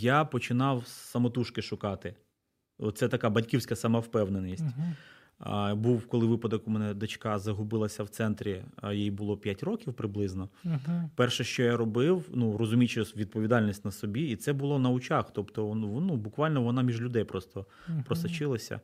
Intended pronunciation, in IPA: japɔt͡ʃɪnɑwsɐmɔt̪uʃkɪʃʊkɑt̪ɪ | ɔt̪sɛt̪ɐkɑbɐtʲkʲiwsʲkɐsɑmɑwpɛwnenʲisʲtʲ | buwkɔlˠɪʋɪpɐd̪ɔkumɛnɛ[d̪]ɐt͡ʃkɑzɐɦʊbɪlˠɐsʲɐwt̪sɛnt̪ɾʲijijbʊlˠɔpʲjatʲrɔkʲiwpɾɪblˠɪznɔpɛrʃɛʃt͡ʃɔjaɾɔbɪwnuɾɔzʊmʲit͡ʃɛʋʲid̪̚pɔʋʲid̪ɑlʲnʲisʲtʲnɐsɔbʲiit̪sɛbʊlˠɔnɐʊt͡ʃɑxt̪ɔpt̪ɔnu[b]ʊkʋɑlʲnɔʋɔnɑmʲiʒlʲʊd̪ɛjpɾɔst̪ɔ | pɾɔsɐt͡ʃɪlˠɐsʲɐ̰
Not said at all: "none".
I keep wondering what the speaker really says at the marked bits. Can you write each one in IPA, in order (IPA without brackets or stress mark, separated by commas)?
d̪, b